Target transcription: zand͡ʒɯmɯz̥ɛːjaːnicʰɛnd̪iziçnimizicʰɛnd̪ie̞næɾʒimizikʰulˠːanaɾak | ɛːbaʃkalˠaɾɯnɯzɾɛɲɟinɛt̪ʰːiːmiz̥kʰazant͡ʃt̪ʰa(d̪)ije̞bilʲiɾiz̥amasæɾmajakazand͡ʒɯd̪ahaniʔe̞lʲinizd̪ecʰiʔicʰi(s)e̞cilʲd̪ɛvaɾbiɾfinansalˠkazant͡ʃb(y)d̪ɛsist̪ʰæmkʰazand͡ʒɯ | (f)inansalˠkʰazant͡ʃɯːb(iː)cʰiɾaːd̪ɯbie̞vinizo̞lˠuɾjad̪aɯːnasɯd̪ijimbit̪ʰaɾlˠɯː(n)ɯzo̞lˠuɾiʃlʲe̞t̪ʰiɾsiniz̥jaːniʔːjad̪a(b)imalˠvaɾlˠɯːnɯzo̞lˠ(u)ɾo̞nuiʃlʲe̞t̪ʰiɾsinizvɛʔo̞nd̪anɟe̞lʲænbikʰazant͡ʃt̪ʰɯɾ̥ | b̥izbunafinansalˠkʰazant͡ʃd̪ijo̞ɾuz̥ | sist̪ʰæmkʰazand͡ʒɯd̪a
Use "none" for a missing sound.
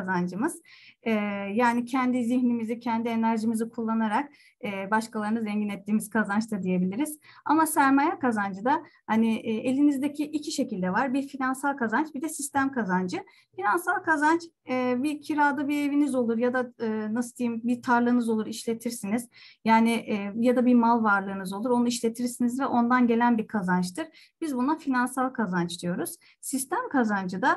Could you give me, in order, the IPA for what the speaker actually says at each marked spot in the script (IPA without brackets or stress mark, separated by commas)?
d̪, ʃ, i, f, i, n, b, u